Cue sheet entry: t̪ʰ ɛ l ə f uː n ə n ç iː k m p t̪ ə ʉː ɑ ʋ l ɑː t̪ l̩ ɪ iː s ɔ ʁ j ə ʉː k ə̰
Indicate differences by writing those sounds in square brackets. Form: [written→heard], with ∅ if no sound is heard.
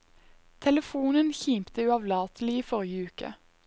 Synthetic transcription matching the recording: t̪ʰ ɛ l ə f uː n ə n ç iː [k→∅] m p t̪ ə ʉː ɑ ʋ l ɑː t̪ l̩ ɪ iː [s→f] ɔ ʁ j ə ʉː k ə̰

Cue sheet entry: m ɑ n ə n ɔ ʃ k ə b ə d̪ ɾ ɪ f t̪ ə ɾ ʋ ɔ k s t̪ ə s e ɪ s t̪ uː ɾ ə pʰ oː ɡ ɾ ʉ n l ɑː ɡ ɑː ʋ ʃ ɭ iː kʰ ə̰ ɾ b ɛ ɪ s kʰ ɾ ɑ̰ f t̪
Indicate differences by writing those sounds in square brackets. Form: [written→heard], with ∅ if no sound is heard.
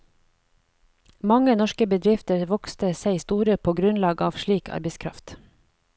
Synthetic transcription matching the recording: m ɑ [n→ŋ] ə n ɔ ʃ k ə b ə d̪ ɾ ɪ f t̪ ə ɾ ʋ ɔ k s t̪ ə s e ɪ s t̪ uː ɾ ə pʰ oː ɡ ɾ ʉ n l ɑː ɡ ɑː ʋ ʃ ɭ iː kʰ [ə̰→ɑ̰] ɾ b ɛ ɪ s kʰ ɾ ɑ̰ f t̪

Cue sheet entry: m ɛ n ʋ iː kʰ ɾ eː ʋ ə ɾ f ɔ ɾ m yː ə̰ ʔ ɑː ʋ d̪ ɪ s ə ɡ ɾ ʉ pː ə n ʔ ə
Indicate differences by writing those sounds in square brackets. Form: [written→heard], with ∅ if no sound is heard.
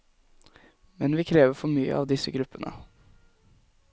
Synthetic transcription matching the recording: m ɛ n ʋ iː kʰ ɾ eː ʋ ə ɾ f ɔ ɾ m yː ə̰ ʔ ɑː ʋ d̪ ɪ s ə ɡ ɾ ʉ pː ə n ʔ ə

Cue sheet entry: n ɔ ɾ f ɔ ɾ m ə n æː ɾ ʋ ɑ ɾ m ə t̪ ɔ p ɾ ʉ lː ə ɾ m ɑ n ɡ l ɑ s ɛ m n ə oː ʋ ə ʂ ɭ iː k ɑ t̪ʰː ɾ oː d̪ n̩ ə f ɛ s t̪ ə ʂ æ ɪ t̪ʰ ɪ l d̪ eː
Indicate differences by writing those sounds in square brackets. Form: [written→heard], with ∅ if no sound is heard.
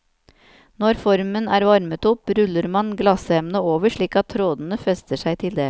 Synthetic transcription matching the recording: n ɔ ɾ f ɔ ɾ m ə n æː ɾ ʋ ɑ ɾ m ə t̪ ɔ p ɾ ʉ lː ə ɾ m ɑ n ɡ l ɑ s ɛ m n ə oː ʋ ə ʂ ɭ iː k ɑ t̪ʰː ɾ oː d̪ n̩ ə f ɛ s t̪ ə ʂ æ ɪ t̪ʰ ɪ l d̪ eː

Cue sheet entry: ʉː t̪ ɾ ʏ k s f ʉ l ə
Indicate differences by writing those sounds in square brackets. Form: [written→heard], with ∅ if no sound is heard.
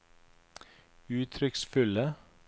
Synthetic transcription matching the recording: ʉː [t̪→t̪ʰ] ɾ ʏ k s f ʉ l ə

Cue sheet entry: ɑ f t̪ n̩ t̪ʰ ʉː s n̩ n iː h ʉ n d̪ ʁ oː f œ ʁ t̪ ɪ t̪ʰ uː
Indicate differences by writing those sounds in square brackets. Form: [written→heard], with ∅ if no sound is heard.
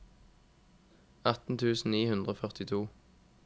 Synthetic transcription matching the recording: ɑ [f→∅] t̪ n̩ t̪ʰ ʉː s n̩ n iː h ʉ n d̪ ʁ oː f œ ʁ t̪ ɪ t̪ʰ uː

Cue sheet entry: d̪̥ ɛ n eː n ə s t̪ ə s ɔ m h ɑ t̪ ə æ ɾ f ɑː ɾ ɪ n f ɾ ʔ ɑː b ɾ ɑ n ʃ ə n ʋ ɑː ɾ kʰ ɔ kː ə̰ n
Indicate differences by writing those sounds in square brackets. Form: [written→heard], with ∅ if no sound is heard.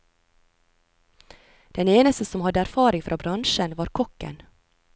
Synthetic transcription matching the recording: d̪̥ ɛ n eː n ə s t̪ ə s ɔ m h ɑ [t̪→d̪] ə æ ɾ f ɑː ɾ ɪ [n→ŋ] f ɾ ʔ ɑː b ɾ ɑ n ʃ ə n ʋ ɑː ɾ kʰ ɔ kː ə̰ n

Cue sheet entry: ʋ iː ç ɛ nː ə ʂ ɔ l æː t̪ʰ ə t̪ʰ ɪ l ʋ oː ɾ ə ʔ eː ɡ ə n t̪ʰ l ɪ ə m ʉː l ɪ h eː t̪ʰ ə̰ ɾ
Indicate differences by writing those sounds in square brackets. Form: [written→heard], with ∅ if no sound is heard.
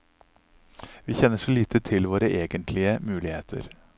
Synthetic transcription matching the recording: ʋ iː ç ɛ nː ə ʂ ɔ l [æː→iː] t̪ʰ ə t̪ʰ ɪ l ʋ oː ɾ ə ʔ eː ɡ ə n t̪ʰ l ɪ ə m ʉː l ɪ h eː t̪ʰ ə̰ ɾ

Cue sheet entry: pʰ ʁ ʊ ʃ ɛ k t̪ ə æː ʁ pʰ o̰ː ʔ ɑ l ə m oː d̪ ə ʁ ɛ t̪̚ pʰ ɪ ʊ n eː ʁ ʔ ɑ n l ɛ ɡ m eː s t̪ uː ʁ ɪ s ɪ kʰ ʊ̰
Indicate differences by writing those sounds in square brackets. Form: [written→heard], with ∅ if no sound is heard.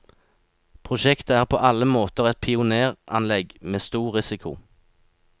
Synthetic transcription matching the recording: pʰ ʁ ʊ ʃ ɛ k t̪ ə æː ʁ pʰ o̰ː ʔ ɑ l ə m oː [d̪→t̪] ə ʁ ɛ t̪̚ pʰ ɪ ʊ n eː ʁ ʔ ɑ n l ɛ ɡ m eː s t̪ uː ʁ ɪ s ɪ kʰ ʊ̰

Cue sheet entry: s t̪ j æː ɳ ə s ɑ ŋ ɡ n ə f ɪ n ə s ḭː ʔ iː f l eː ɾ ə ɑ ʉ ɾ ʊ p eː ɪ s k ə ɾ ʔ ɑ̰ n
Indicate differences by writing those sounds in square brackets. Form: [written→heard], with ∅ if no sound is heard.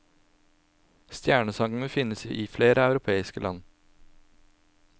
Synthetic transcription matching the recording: s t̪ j æː ɳ ə s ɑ ŋ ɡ n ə f ɪ n ə s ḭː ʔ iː f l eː ɾ ə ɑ ʉ ɾ ʊ [p→pʰ] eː ɪ s k ə [ɾ→l] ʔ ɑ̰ n

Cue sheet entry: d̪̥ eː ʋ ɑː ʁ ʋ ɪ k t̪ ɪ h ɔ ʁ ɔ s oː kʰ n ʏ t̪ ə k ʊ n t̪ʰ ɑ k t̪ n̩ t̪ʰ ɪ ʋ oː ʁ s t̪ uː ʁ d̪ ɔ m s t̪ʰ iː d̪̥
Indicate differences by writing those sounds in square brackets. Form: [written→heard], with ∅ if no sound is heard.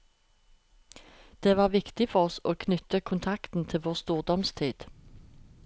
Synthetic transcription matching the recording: d̪̥ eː ʋ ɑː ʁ ʋ ɪ k t̪ ɪ [h→f] ɔ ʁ ɔ s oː kʰ n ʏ t̪ ə [k→kʰ] ʊ n t̪ʰ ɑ k t̪ n̩ t̪ʰ ɪ ʋ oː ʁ s t̪ uː ʁ d̪ ɔ m s t̪ʰ iː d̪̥

